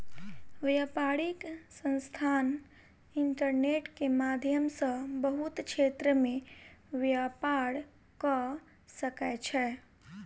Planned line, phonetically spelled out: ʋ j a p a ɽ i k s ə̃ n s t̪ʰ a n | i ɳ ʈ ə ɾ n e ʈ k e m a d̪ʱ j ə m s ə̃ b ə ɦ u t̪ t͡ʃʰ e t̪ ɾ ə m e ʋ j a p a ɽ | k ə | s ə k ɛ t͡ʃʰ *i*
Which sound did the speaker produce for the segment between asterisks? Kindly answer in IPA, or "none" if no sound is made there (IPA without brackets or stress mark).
ɛ